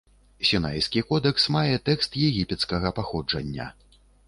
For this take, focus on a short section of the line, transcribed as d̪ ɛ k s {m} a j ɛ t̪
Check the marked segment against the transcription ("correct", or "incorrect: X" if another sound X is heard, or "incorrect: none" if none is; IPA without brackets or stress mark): correct